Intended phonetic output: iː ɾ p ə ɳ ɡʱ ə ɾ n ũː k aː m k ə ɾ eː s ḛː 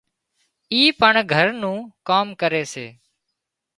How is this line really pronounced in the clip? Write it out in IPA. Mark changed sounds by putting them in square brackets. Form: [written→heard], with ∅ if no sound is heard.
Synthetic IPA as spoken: iː [ɾ→∅] p ə ɳ ɡʱ ə ɾ n ũː k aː m k ə ɾ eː s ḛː